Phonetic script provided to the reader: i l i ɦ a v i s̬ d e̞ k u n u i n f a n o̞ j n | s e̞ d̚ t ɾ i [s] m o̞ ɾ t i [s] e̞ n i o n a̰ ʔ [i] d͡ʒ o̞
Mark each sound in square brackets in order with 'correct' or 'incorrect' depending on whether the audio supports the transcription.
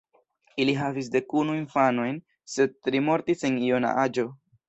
incorrect, correct, incorrect

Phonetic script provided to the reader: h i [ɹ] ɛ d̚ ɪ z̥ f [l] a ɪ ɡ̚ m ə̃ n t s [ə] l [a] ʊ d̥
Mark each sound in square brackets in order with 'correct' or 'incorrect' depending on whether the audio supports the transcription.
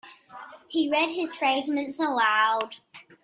correct, incorrect, correct, correct

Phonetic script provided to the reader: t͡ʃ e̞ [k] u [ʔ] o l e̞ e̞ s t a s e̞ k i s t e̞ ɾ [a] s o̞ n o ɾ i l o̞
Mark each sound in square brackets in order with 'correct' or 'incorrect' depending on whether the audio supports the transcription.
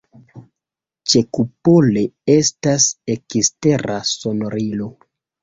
correct, incorrect, correct

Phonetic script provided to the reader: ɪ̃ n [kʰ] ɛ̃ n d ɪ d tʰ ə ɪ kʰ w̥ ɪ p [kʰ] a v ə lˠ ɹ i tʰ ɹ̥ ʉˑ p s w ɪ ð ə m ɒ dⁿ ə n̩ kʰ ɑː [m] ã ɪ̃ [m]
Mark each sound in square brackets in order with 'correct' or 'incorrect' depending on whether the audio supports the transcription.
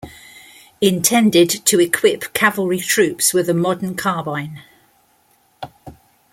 incorrect, correct, incorrect, incorrect

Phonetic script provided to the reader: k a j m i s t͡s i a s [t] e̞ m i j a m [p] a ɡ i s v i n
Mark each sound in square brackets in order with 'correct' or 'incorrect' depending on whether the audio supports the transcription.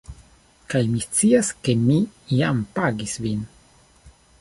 incorrect, correct

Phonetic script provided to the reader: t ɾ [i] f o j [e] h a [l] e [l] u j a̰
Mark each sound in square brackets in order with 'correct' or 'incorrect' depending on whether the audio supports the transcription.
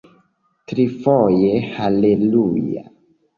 correct, correct, correct, correct

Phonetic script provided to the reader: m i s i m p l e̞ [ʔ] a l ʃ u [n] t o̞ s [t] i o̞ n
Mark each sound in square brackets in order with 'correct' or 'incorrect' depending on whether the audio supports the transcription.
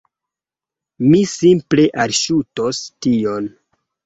correct, incorrect, correct

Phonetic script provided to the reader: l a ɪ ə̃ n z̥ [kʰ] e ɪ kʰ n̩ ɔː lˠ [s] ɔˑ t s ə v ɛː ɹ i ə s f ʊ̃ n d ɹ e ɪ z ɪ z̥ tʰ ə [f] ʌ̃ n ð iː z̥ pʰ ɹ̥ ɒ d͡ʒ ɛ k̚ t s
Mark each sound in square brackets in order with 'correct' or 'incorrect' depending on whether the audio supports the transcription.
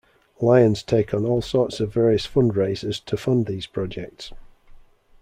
incorrect, correct, correct

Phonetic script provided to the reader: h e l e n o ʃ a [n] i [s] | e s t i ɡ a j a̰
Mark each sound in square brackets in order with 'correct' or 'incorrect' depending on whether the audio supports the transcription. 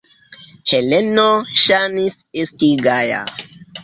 correct, correct

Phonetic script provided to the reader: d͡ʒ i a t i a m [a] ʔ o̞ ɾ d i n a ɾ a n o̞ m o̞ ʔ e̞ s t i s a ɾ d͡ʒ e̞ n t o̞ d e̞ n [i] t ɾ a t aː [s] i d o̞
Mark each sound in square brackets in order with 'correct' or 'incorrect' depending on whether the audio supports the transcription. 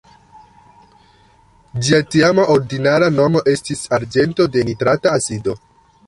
correct, correct, correct

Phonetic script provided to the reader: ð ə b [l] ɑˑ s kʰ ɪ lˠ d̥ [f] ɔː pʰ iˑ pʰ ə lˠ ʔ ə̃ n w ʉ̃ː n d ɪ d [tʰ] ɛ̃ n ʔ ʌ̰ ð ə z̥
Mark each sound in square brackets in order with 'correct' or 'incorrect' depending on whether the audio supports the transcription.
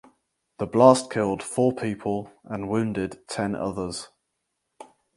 correct, correct, correct

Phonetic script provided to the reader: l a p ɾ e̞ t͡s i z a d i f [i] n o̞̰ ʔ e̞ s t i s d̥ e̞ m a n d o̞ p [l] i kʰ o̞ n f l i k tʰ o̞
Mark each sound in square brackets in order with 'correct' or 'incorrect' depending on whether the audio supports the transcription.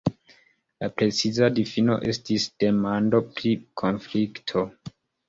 correct, incorrect

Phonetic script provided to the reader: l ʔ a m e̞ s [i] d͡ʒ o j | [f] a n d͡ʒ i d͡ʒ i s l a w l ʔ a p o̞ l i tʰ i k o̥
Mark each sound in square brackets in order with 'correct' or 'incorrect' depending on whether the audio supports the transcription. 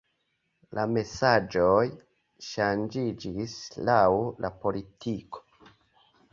incorrect, incorrect

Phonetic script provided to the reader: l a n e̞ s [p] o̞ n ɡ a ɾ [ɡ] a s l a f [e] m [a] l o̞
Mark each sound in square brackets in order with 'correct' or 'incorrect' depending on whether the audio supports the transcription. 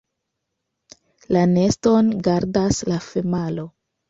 incorrect, incorrect, correct, correct

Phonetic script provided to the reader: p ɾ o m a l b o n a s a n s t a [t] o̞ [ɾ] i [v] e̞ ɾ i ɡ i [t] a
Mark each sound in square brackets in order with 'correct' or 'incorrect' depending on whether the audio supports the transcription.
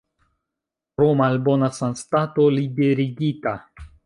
correct, incorrect, incorrect, correct

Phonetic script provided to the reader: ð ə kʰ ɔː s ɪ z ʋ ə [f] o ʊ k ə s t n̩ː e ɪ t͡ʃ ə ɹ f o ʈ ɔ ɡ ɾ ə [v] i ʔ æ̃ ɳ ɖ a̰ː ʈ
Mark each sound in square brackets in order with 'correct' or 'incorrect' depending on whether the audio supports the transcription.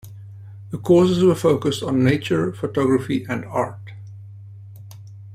correct, incorrect

